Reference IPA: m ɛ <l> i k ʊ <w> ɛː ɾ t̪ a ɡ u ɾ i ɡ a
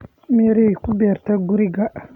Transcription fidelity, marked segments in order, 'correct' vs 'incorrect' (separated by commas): incorrect, incorrect